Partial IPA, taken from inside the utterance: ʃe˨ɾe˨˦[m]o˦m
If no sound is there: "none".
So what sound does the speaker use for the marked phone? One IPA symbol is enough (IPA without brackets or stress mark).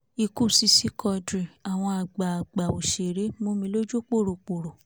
m